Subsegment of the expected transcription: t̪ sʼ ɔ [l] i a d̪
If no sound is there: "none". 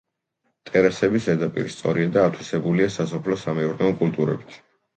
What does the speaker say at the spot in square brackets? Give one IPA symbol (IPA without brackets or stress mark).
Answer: ɾ